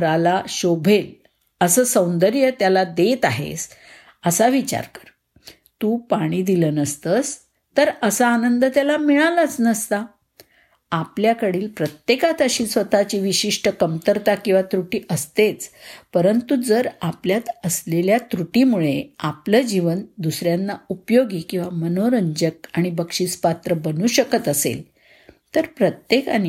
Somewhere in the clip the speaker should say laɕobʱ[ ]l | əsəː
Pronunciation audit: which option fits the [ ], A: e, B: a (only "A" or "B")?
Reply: A